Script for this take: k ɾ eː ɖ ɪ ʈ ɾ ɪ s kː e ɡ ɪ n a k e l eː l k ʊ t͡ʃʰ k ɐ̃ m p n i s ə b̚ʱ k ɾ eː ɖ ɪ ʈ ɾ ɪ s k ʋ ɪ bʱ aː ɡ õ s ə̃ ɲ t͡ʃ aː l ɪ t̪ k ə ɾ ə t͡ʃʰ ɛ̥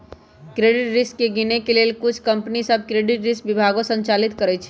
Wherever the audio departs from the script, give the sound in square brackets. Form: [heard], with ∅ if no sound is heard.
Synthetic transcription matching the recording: k ɾ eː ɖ ɪ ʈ ɾ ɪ s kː e ɡ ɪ n [e] k e l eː l k ʊ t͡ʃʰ k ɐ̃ m p n i s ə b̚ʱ k ɾ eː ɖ ɪ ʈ ɾ ɪ s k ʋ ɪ bʱ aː ɡ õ s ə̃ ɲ t͡ʃ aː l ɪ t̪ k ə ɾ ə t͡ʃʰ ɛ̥